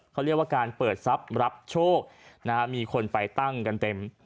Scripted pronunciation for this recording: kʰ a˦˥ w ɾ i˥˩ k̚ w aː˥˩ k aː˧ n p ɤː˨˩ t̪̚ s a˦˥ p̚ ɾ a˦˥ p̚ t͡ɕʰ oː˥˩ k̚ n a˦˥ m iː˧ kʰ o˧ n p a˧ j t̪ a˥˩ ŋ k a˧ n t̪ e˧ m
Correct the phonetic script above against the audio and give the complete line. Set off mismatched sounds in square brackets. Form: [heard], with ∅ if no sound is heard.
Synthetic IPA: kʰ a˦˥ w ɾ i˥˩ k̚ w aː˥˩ k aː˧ n p ɤː˨˩ t̪̚ s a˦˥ p̚ ɾ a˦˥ p̚ t͡ɕʰ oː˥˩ k̚ n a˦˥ m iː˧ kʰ o˧ n p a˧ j t̪ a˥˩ ŋ k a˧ n t̪ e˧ m